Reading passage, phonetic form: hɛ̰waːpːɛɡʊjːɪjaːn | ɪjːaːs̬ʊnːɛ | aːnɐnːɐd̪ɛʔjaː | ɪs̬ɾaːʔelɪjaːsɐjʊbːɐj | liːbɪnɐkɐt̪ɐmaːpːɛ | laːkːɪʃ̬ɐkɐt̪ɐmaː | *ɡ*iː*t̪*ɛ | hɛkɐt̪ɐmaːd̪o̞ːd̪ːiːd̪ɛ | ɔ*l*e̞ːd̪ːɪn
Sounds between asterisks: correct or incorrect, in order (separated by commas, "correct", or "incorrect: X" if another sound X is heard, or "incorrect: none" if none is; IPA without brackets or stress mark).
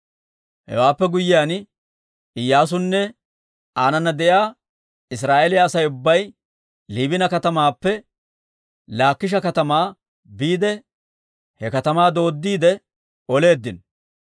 incorrect: b, incorrect: d̪, correct